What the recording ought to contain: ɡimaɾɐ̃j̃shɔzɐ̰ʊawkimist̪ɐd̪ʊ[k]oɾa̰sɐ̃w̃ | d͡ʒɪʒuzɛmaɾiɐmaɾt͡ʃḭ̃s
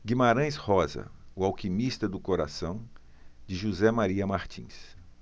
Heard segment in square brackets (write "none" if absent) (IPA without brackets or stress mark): k